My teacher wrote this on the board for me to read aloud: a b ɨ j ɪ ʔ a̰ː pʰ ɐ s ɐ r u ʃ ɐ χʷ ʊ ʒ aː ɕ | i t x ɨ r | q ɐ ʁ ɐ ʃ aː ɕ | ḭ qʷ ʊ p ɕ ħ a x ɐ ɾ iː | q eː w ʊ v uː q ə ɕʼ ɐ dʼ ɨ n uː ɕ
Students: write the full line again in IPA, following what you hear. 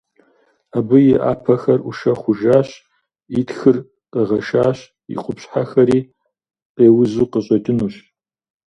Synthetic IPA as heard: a b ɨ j ɪ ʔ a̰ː pʰ ɐ x ɐ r u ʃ ɐ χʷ ʊ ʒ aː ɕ | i t x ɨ r | q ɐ ʁ ɐ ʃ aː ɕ | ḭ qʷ ʊ p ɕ ħ a x ɐ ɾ iː | q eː w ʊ z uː q ə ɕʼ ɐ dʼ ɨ n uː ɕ